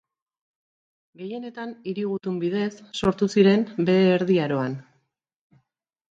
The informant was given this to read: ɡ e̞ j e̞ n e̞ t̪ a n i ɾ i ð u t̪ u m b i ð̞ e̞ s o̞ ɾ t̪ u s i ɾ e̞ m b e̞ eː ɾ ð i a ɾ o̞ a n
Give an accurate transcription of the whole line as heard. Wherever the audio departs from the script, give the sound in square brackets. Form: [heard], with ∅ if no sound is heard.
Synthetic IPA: ɡ e̞ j e̞ n e̞ t̪ a n i ɾ i [ɣ] u t̪ u m b i ð̞ e̞ [sː] o̞ ɾ t̪ u s i ɾ e̞ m b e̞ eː ɾ ð i a ɾ o̞ a n